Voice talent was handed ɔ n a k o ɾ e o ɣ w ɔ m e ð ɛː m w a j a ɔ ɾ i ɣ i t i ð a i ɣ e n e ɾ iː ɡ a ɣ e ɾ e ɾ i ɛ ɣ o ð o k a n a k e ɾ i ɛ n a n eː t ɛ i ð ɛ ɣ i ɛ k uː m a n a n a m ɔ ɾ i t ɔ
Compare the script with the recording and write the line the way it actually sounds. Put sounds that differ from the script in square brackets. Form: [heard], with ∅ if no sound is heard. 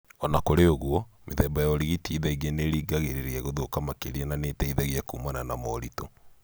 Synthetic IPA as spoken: ɔ n a k o ɾ e o ɣ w ɔ m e ð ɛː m [b] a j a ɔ ɾ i ɣ i t i ð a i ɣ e n e ɾ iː ɡ a ɣ e ɾ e ɾ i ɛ ɣ o ð o k a [m] a k e ɾ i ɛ n a n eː t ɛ i ð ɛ ɣ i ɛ k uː m a n a n a m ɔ ɾ i t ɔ